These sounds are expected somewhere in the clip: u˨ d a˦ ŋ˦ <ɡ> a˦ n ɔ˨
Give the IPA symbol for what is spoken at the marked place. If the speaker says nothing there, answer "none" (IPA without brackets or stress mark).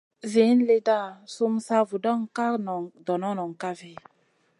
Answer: k